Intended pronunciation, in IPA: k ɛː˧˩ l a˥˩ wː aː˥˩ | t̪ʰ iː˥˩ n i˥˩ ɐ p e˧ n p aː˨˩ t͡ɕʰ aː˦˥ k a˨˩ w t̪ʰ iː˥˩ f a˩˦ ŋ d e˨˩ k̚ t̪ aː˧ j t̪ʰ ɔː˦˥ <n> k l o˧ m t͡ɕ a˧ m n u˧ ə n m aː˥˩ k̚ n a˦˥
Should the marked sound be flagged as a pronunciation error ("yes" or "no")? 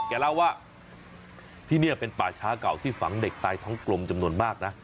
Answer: yes